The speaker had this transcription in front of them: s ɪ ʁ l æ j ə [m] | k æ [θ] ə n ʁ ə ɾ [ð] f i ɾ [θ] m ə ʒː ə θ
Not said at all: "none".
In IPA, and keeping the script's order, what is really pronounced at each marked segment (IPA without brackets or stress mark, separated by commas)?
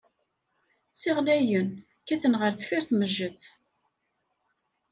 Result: n, θ, θ, θ